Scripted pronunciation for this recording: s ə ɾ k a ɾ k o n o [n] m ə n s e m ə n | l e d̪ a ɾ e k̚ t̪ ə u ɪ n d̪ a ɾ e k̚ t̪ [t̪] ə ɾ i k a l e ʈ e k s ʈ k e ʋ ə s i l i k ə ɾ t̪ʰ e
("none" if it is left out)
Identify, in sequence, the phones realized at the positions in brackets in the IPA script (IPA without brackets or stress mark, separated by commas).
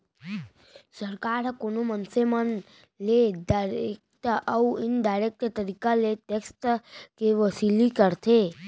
none, t̪